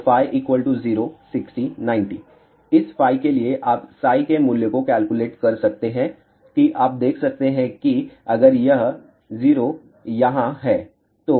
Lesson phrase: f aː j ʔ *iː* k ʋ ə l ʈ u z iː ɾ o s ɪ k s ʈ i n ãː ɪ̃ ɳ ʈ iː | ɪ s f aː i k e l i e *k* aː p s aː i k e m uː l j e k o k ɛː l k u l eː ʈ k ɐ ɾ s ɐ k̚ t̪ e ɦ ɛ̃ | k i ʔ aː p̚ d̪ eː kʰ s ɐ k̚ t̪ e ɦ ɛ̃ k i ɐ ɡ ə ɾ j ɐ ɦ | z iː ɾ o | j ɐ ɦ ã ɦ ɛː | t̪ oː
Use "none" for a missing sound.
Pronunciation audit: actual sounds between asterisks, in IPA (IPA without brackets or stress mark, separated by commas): iː, ʔ